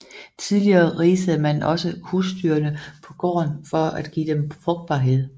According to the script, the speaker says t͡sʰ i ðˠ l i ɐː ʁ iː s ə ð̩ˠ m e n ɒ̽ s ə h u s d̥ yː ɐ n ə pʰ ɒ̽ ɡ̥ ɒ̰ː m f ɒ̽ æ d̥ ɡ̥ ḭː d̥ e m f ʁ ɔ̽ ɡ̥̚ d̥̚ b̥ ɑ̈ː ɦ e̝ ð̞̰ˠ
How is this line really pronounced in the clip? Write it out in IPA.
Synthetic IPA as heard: t͡sʰ i ðˠ l i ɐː ʁ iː s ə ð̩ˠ m æ n ɒ̽ s ə h u s d̥ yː ɐ n ə pʰ ɒ̽ ɡ̥ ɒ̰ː n f ɒ̽ æ d̥ ɡ̥ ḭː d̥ e m f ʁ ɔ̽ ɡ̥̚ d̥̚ b̥ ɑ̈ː ɦ e̝ ð̞̰ˠ